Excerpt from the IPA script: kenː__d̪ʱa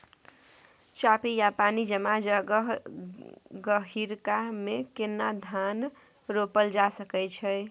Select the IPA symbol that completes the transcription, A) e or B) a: B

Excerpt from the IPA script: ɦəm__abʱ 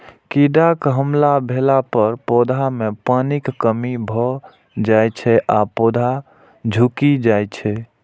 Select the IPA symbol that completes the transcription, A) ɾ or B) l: B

